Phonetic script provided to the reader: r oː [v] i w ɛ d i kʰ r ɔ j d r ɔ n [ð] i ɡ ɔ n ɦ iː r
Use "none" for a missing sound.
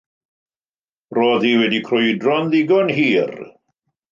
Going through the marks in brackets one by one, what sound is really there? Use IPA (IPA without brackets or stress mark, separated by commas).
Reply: ð, ð